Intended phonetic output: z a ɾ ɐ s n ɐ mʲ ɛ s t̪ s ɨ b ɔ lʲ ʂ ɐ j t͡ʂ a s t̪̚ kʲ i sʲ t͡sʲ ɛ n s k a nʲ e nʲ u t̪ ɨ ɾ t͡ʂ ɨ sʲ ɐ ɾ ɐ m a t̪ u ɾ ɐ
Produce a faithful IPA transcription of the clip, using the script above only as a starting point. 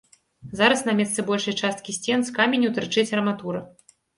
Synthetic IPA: z a ɾ ɐ s n ɐ mʲ ɛ s t̪ s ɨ b ɔ lʲ ʂ ɐ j t͡ʂ a s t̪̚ kʲ i sʲ t͡sʲ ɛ n s k a mʲ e nʲ u t̪ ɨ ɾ t͡ʂ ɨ t͡sʲ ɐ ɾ ɐ m a t̪ u ɾ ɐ